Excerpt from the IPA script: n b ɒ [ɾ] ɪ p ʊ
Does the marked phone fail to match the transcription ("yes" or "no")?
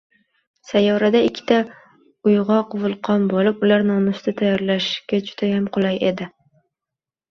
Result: yes